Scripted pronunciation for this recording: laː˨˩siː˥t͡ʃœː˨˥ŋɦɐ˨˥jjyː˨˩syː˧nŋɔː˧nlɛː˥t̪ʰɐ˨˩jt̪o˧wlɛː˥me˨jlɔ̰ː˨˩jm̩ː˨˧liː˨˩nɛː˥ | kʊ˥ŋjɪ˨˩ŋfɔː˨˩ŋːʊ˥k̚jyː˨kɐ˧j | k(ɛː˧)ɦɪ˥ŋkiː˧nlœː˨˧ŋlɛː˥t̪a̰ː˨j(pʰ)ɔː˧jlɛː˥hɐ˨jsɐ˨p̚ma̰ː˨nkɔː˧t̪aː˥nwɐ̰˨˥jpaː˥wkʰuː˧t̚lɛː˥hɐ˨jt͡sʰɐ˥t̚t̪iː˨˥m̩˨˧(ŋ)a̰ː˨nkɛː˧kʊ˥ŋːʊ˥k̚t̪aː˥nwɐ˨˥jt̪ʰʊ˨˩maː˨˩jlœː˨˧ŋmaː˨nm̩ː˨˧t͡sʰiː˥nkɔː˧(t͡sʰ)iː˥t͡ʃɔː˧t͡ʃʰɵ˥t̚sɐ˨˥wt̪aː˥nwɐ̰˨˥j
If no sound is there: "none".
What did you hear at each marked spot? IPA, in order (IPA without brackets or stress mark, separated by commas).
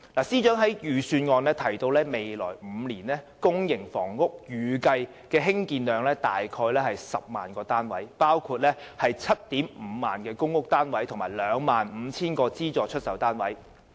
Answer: ɛː˧, kʰ, m, t͡s